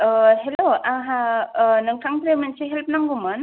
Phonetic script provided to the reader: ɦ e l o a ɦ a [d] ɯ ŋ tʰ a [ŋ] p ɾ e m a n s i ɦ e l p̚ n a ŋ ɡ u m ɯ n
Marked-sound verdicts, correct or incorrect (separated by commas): incorrect, correct